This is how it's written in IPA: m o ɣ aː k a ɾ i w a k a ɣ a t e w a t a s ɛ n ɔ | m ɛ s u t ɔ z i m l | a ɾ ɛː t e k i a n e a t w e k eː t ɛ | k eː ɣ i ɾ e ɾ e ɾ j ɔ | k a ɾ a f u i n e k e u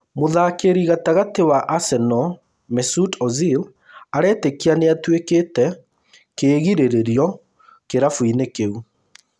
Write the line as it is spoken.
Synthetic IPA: m o ð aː k e ɾ i ɣ a t a ɣ a t e w a ʔ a s ɛ n ɔ | m ɛ s u t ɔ z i l | a ɾ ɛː t e k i a n e a t w e k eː t ɛ | k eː ɣ i ɾ e ɾ e ɾ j ɔ | k e ɾ a f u i n e k e u